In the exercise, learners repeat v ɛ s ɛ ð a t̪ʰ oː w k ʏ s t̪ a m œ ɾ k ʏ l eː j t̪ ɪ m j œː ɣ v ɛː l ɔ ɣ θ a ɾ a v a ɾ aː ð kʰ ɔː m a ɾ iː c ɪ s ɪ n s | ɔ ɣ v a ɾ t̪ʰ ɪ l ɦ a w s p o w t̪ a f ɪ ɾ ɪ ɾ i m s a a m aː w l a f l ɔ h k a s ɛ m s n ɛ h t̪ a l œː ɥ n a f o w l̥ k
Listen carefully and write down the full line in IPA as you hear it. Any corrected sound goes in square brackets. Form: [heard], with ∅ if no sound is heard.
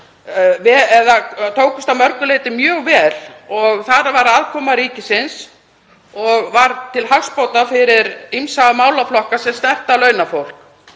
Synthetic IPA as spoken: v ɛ [∅] ɛ ð a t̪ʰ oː w k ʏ s t̪ a m œ ɾ k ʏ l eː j t̪ ɪ m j œː ɣ v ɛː l ɔ ɣ θ a ɾ a v a ɾ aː ð kʰ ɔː m a ɾ iː c ɪ s ɪ n s | ɔ ɣ v a ɾ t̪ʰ ɪ l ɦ a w s p o w t̪ a f ɪ ɾ ɪ ɾ i m s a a m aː w l a f l ɔ h k a s ɛ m s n ɛ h t̪ a l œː ɥ n a f o w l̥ k